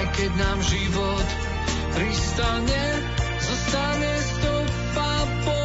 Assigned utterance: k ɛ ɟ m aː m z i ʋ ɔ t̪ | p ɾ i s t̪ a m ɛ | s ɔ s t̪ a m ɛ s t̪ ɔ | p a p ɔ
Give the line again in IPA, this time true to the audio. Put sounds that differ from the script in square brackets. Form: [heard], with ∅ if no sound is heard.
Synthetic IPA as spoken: k ɛ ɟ [n] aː m [ʒ] i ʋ ɔ t̪ | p ɾ i s t̪ a [ɲ] ɛ | [z] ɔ s t̪ a [ɲ] ɛ s t̪ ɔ | p a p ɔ